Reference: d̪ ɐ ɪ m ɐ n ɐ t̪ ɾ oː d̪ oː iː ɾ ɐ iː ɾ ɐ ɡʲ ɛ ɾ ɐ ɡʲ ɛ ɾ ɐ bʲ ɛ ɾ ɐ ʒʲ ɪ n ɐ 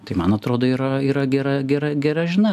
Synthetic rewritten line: t̪ ɐ ɪ m ɐ n ɐ t̪ ɾ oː d̪ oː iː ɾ ɐ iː ɾ ɐ ɡʲ ɛ ɾ ɐ ɡʲ ɛ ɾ ɐ ɡʲ ɛ ɾ ɐ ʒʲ ɪ n ɐ